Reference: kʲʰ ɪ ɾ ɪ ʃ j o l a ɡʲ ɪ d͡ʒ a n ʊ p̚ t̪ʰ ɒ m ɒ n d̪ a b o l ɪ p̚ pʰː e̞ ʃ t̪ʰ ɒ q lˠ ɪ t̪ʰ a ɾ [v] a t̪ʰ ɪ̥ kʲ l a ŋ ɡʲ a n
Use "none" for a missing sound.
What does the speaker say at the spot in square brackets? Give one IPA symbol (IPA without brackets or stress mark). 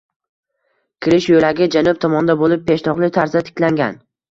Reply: z